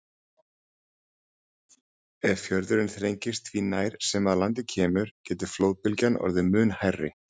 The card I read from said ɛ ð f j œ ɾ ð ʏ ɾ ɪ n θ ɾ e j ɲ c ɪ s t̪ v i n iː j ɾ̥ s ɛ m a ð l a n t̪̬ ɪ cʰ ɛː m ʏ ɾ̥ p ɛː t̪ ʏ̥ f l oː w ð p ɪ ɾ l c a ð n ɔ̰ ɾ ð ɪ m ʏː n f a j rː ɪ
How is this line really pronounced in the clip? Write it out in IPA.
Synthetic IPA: ɛ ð f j œ ɾ ð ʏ ɾ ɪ n θ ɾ e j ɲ c ɪ s t̪ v i n aː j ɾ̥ s ɛ m a ð l a n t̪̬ ɪ cʰ ɛː m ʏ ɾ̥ c ɛː t̪ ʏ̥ f l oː w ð p ɪ l c a n ɔ̰ ɾ ð ɪ m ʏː n h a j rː ɪ